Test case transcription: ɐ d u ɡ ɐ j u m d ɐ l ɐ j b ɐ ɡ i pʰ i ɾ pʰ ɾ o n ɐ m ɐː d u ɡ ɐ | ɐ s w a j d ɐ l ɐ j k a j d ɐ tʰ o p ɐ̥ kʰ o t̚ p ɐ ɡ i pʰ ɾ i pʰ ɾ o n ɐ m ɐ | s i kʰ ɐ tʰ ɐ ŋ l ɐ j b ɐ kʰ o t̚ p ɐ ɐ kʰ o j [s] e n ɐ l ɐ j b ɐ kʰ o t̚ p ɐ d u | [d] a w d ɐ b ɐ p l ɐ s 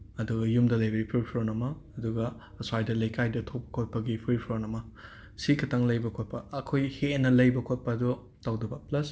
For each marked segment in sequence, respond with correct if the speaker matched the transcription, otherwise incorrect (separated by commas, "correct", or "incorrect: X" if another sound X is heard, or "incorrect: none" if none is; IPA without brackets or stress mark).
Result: incorrect: h, incorrect: t